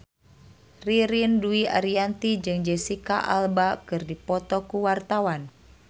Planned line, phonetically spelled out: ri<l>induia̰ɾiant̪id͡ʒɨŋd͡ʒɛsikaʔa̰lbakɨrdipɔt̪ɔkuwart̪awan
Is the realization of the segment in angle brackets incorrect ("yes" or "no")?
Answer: yes